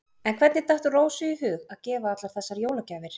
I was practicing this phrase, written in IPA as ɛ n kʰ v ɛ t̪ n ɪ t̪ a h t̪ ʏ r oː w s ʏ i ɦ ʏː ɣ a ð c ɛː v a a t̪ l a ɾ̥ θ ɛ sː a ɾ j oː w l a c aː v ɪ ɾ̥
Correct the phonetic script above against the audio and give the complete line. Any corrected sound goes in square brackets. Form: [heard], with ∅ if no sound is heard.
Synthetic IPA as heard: ɛ n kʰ v ɛ t̪ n ɪ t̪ a h t̪ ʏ r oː w s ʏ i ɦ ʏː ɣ a ð c ɛː v a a t̪ l a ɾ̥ θ ɛ sː a ɾ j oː w l a c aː v ɪ ɾ̥